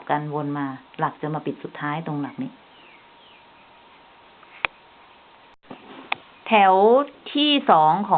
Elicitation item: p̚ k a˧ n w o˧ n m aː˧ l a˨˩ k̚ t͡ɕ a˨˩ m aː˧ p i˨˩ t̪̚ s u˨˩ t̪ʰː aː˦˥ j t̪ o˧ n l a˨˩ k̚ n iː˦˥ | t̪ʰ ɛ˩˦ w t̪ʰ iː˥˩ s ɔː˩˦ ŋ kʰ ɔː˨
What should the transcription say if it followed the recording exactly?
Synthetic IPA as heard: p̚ k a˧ n w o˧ n m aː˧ l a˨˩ k̚ t͡ɕ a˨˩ m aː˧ p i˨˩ t̪̚ s u˨˩ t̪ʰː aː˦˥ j t̪ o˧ ŋ l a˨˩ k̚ n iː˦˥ | t̪ʰ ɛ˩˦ w t̪ʰ iː˥˩ s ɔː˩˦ ŋ kʰ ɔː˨

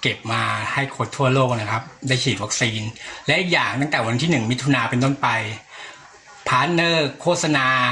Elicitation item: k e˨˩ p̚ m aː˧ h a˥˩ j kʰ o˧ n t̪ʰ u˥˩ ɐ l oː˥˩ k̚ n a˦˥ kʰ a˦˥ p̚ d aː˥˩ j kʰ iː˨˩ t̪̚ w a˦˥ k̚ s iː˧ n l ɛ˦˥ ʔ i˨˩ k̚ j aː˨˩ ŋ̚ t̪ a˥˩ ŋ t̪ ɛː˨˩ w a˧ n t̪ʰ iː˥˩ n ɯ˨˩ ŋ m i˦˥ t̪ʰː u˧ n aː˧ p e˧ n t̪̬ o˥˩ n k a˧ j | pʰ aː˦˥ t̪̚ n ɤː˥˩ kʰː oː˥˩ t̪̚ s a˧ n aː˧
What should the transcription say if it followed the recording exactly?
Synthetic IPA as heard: k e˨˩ p̚ m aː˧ h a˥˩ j kʰ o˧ n t̪ʰ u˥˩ ɐ l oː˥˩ k̚ n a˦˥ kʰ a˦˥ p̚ d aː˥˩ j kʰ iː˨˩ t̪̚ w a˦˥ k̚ s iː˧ n l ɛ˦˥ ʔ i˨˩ k̚ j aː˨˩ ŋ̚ t̪ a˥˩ ŋ t̪ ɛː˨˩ w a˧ n t̪ʰ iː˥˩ n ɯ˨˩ ŋ m i˦˥ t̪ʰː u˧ n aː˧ p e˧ n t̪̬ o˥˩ n p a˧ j | pʰ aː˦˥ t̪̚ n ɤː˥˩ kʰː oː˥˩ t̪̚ s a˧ n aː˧

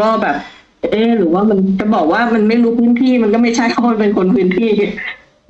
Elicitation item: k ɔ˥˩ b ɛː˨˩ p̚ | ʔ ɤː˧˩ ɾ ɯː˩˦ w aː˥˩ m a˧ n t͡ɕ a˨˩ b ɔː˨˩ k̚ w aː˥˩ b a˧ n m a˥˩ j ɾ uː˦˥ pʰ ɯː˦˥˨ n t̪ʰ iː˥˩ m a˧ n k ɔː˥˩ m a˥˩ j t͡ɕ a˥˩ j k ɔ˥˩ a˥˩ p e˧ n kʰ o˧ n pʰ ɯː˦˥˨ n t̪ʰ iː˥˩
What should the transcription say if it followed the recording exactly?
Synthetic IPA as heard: k ɔː˥˩ b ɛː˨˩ p̚ | ʔ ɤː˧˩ ɾ ɯː˩˦ w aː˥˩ m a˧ n t͡ɕ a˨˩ b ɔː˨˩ k̚ w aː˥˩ m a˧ n m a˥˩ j ɾ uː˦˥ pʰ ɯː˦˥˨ n t̪ʰ iː˥˩ m a˧ n k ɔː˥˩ m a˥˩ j t͡ɕʰ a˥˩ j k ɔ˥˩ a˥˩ p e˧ n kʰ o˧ n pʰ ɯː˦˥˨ n t̪ʰ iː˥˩

